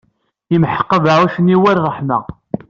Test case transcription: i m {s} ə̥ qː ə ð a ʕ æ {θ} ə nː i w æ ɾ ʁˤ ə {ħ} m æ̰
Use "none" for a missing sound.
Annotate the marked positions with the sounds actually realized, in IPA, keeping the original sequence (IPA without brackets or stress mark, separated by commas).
ħ, ʃ, ħ